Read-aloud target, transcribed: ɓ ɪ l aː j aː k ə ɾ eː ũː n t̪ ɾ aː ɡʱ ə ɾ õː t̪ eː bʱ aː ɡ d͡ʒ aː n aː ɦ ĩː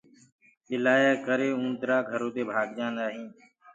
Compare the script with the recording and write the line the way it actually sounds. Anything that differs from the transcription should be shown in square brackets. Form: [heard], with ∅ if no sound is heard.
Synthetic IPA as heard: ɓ ɪ l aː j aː k ə ɾ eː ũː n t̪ ɾ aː ɡʱ ə ɾ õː t̪ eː bʱ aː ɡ d͡ʒ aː n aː ɦ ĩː

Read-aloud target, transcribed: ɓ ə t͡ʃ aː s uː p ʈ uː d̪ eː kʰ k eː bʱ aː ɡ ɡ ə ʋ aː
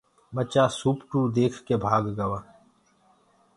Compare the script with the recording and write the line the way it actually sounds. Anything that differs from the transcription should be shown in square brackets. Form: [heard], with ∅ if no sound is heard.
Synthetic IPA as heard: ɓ ə t͡ʃ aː s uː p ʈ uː d̪ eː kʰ k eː bʱ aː ɡ ɡ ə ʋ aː

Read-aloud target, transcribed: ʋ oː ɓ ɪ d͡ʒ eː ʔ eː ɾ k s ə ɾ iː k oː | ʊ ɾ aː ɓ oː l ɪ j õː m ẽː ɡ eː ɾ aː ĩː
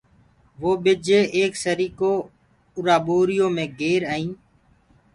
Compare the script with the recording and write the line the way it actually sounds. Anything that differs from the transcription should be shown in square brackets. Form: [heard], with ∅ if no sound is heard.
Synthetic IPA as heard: ʋ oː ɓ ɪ d͡ʒ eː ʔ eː [∅] k s ə ɾ iː k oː | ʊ ɾ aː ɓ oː [ɾ] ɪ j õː m ẽː ɡ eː ɾ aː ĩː

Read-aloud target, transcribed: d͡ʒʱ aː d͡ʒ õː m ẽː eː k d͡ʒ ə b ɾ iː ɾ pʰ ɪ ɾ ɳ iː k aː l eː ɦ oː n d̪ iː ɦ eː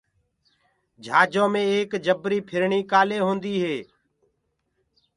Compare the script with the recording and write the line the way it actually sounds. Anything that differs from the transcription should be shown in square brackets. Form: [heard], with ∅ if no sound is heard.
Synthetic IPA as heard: d͡ʒʱ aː d͡ʒ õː m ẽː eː k d͡ʒ ə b ɾ iː [∅] pʰ ɪ ɾ ɳ iː k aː l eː ɦ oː n d̪ iː ɦ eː

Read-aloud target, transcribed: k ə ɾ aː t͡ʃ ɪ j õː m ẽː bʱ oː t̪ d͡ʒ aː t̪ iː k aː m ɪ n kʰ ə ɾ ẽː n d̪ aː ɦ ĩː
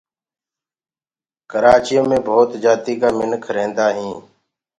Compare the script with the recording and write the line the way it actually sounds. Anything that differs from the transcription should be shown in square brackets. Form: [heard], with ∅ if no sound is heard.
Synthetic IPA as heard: k ə ɾ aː t͡ʃ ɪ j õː m ẽː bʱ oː t̪ d͡ʒ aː t̪ iː k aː m ɪ n kʰ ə ɾ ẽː n d̪ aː ɦ ĩː

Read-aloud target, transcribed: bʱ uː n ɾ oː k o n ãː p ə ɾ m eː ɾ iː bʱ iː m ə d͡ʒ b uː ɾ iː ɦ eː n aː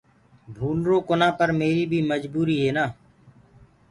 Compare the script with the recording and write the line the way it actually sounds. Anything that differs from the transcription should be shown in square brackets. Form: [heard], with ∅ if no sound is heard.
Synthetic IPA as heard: bʱ uː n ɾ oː k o n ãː p ə ɾ m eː ɾ iː bʱ iː m ə d͡ʒ b uː ɾ iː ɦ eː n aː

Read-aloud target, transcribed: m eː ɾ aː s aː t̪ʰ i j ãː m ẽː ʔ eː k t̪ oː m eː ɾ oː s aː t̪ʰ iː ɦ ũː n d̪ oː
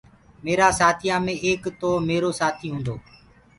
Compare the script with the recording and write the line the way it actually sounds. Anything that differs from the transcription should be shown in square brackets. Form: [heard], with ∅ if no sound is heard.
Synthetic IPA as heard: m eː ɾ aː s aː t̪ʰ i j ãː m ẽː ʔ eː k t̪ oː m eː ɾ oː s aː t̪ʰ iː ɦ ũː n d̪ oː

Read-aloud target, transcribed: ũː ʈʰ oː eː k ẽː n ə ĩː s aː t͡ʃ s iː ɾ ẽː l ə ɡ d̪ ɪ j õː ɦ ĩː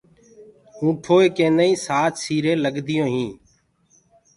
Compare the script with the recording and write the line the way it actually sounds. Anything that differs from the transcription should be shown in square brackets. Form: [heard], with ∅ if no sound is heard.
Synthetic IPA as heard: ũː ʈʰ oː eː k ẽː n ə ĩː s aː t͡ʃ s iː ɾ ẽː l ə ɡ d̪ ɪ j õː ɦ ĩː

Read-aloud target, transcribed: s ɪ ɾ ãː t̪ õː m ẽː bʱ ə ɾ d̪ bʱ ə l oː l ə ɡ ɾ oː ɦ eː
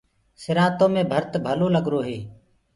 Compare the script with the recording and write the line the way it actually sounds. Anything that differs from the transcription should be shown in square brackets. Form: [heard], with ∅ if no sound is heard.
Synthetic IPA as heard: s ɪ ɾ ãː t̪ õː m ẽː bʱ ə ɾ [t̪] bʱ ə l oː l ə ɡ ɾ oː ɦ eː

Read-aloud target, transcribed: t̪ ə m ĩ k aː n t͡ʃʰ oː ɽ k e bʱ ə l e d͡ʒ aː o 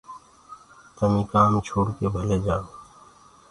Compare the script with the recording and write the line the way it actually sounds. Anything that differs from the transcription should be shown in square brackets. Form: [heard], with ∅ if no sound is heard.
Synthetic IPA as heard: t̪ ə m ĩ k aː [m] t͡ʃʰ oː ɽ k e bʱ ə l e d͡ʒ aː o

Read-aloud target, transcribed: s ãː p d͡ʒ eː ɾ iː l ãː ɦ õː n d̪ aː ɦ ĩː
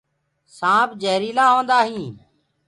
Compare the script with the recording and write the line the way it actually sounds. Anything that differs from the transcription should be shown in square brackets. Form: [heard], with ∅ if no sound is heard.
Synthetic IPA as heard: s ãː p d͡ʒ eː ɾ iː l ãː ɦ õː n d̪ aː ɦ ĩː

